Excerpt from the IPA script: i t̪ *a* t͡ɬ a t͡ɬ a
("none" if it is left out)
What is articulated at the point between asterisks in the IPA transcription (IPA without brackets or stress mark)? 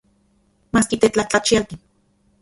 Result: e